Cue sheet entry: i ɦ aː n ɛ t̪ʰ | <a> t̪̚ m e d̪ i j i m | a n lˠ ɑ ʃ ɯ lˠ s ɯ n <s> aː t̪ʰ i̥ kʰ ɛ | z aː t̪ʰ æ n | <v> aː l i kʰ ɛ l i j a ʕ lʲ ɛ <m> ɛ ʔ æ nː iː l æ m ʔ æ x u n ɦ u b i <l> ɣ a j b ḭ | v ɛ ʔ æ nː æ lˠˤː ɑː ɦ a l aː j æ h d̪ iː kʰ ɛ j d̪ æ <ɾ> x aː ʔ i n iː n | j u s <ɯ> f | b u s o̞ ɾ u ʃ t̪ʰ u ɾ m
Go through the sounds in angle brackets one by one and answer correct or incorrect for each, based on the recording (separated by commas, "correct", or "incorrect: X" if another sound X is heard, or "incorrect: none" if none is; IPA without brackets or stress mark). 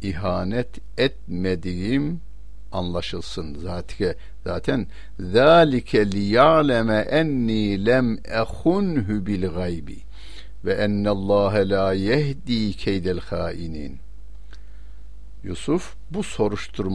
incorrect: ɛ, incorrect: z, incorrect: ð, correct, correct, incorrect: l, incorrect: u